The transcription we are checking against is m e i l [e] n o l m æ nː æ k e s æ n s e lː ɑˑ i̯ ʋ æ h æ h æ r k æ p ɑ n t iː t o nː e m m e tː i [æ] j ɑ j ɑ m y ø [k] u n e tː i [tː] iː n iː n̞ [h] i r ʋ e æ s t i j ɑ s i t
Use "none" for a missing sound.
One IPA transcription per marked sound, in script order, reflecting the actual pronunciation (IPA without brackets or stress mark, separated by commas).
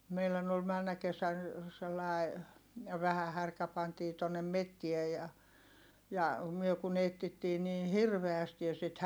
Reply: æ, e, k, tː, h